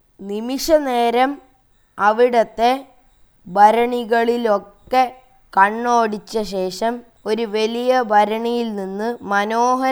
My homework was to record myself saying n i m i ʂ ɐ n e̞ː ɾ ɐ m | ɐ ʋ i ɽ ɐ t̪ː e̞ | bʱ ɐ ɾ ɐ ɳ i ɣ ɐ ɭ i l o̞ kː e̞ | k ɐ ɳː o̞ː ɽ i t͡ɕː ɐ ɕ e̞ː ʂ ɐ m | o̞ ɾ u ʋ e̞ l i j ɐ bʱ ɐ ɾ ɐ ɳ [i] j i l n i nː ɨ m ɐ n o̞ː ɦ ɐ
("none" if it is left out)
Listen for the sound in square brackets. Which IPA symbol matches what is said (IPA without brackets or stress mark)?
i